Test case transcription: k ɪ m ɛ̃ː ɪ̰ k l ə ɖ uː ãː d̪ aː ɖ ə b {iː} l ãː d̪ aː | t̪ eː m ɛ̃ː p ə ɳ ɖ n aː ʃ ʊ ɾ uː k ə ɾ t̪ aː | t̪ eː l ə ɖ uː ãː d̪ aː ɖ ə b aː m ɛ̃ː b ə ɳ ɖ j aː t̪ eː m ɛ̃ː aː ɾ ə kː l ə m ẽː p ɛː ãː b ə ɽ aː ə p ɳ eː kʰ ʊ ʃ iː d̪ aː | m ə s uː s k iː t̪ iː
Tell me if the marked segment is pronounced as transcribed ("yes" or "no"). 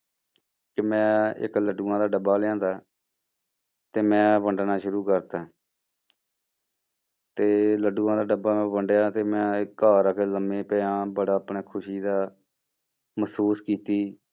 no